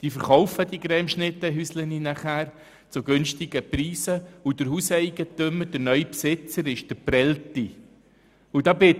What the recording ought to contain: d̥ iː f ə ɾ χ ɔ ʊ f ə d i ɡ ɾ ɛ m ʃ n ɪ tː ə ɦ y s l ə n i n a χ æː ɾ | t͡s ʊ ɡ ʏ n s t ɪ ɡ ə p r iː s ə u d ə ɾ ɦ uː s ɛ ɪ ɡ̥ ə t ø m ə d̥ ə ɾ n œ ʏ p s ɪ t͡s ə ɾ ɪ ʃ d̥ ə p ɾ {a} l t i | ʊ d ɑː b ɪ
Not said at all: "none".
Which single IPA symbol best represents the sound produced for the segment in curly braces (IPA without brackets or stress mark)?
ɛ